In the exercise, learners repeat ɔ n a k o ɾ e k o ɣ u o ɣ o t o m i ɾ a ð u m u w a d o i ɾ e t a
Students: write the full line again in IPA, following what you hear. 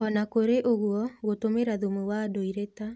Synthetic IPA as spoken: ɔ n a k o ɾ e ʔ o ɣ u ɔ ɣ o t o m e ɾ a ð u m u w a d o i ɾ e t a